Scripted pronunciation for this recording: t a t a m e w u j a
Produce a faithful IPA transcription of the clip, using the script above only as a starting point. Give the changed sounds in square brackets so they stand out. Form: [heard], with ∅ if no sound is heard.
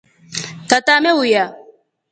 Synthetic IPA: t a t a m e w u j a